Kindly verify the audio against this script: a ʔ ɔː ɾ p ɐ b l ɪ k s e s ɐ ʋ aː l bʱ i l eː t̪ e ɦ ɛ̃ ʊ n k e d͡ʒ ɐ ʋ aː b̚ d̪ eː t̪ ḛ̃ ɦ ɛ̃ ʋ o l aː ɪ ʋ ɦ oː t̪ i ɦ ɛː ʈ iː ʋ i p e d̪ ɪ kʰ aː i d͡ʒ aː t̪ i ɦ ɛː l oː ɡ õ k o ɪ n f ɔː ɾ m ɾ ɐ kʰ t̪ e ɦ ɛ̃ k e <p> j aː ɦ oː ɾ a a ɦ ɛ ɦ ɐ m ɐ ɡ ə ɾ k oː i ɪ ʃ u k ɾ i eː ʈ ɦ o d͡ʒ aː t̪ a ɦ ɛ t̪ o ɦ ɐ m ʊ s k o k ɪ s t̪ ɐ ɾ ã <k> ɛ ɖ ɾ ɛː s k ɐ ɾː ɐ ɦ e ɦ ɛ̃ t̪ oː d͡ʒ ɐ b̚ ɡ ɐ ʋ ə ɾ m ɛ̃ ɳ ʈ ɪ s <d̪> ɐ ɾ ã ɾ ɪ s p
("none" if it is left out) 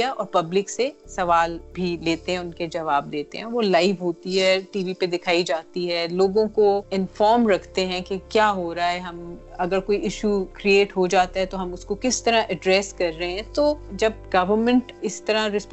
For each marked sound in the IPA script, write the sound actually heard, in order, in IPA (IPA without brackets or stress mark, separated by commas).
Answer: k, ʔ, t̪